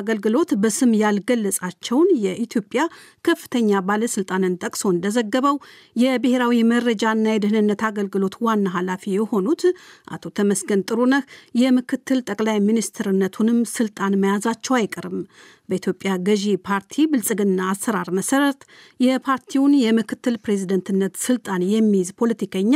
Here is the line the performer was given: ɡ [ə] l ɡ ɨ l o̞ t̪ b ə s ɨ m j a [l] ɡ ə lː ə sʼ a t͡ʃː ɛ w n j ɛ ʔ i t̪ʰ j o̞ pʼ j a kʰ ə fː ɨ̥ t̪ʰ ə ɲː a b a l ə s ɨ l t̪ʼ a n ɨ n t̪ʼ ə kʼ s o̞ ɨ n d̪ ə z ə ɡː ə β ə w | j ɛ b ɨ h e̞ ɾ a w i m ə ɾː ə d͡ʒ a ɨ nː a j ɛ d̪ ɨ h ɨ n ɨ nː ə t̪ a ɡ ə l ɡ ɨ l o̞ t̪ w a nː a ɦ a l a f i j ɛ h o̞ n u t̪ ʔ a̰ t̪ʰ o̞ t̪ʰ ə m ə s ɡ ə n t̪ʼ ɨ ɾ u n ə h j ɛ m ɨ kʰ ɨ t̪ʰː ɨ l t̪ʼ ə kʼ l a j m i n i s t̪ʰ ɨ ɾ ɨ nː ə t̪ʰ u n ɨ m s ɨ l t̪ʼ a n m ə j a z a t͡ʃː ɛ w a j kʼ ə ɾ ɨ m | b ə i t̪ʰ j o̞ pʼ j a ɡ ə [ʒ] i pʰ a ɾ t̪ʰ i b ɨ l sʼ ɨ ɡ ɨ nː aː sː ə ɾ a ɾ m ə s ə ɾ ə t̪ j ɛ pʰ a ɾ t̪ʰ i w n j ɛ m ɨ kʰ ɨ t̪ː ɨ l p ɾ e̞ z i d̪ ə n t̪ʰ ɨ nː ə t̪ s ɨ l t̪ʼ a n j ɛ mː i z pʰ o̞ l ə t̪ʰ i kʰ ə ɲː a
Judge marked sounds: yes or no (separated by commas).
yes, yes, yes